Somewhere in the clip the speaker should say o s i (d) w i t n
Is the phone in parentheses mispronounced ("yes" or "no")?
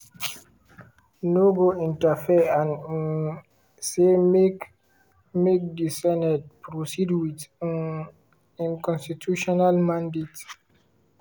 no